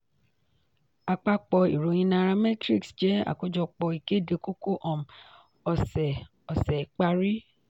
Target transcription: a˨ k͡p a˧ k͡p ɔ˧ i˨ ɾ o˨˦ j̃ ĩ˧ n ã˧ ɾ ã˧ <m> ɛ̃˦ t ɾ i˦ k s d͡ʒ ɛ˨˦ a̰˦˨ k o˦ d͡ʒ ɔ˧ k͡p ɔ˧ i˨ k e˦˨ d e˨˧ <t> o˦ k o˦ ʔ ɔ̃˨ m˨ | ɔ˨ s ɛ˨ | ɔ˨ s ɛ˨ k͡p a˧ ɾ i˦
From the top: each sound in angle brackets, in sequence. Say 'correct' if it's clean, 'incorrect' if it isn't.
correct, incorrect

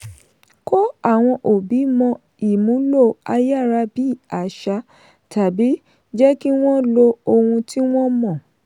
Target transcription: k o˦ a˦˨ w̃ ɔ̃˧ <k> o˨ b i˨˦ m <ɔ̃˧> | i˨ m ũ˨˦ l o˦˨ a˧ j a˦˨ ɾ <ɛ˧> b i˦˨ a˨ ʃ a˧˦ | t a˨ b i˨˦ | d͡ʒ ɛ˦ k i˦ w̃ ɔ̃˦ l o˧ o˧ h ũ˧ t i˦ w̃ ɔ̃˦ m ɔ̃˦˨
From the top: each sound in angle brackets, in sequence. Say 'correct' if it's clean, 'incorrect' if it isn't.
incorrect, correct, incorrect

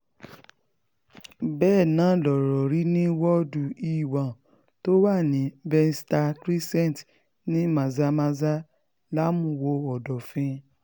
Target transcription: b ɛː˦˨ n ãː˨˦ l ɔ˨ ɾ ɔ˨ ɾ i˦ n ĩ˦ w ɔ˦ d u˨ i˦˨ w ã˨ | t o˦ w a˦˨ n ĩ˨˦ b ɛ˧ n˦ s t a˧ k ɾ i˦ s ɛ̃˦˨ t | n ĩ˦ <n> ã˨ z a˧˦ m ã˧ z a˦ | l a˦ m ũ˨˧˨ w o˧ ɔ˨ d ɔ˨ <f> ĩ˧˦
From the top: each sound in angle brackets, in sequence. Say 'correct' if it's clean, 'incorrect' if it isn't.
incorrect, correct

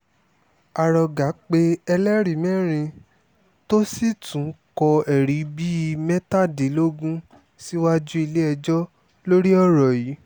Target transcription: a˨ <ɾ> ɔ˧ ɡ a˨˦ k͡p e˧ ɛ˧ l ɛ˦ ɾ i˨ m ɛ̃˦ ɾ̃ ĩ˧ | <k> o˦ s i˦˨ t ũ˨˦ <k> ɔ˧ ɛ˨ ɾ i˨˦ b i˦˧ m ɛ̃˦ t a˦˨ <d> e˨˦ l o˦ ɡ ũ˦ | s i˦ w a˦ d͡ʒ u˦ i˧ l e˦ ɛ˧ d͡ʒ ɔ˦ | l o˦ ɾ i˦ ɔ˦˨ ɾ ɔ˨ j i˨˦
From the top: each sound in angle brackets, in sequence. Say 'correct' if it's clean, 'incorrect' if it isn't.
correct, incorrect, correct, correct

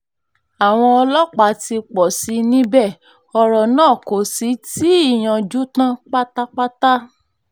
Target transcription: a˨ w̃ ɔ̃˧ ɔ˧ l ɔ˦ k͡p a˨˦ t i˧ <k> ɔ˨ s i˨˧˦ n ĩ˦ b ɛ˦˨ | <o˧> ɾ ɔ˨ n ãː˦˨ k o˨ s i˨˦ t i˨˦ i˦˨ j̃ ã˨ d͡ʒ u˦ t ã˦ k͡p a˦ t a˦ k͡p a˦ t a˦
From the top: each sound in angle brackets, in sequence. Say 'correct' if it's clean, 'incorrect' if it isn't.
incorrect, incorrect

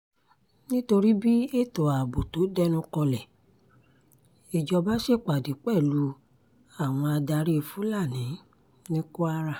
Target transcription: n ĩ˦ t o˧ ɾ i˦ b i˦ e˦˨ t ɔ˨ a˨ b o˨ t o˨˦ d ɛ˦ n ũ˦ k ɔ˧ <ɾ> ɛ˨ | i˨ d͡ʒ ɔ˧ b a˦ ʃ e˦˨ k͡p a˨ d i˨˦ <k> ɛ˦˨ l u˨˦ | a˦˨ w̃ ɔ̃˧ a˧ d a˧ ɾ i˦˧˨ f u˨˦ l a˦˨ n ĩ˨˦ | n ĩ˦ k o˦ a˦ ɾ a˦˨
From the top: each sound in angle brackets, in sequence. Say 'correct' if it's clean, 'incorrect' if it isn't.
incorrect, incorrect

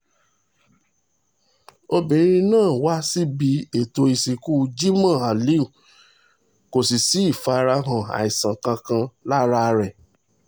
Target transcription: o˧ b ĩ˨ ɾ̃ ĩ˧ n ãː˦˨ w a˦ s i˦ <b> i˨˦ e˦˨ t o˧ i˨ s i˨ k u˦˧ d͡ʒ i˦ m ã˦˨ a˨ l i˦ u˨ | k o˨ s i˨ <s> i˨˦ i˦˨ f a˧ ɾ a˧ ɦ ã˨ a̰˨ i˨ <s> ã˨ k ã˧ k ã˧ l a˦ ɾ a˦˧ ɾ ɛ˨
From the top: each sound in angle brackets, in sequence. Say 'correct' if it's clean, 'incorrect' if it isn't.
correct, correct, correct

